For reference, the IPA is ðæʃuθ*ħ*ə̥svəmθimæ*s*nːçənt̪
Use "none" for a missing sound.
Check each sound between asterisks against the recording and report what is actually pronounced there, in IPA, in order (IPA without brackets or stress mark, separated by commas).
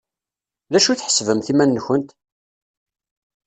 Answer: ħ, none